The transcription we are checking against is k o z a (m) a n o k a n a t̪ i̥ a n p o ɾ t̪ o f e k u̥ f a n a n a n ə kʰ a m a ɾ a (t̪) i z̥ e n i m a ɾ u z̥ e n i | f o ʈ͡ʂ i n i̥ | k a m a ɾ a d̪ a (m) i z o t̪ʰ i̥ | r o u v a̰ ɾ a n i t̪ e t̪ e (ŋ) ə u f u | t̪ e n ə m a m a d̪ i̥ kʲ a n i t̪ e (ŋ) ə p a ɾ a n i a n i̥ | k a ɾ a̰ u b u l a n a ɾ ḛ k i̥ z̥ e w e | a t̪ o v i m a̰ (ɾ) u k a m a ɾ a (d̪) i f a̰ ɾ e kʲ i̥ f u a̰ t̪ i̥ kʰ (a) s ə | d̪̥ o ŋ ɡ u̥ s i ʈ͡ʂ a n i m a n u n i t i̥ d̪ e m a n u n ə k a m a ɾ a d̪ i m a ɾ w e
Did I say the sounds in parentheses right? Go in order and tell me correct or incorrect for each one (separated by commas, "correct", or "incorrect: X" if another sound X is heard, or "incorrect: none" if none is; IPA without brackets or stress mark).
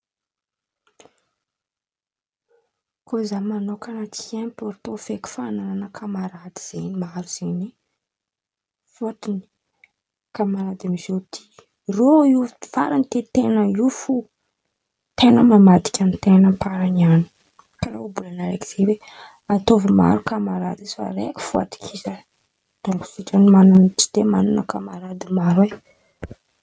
correct, incorrect: d̪, correct, incorrect: n, incorrect: n, correct, correct, incorrect: i